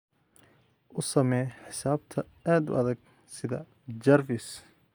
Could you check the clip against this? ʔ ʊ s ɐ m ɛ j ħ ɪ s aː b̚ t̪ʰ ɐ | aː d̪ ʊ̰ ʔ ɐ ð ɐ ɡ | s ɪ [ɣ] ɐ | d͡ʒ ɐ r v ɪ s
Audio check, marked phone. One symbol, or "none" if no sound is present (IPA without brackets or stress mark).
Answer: ð